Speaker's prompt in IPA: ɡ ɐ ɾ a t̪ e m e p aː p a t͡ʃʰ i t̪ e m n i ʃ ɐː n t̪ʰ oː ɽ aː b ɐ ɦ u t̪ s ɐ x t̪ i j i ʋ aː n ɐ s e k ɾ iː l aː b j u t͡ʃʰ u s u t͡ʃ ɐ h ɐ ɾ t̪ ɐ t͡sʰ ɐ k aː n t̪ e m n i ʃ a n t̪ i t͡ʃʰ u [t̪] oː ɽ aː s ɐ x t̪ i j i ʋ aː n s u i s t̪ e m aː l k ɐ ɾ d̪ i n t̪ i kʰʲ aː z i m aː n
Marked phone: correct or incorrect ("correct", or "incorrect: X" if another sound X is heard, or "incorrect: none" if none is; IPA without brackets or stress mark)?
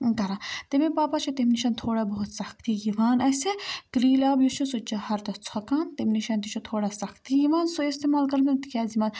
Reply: incorrect: t̪ʰ